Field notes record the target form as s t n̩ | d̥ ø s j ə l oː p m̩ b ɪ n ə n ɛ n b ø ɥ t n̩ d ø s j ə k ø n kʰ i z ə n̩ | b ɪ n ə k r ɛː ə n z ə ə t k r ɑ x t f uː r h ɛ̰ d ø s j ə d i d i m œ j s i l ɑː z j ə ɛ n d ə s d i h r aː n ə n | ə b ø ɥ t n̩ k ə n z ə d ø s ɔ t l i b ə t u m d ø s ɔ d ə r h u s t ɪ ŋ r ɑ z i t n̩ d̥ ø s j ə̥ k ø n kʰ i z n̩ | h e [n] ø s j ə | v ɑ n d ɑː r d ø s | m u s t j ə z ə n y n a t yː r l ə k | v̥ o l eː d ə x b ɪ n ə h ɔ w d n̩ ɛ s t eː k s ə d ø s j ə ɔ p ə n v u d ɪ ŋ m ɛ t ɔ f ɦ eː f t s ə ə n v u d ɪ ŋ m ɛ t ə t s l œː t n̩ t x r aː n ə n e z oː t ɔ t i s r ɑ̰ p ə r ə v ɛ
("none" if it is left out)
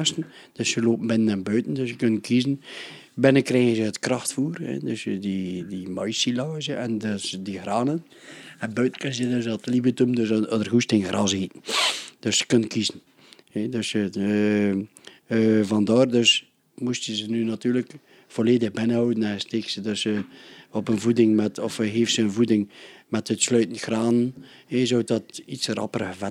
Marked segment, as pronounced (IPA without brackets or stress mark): d